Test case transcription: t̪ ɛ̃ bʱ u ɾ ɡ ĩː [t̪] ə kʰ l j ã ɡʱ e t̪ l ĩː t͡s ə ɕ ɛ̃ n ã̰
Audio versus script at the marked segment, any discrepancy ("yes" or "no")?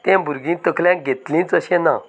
no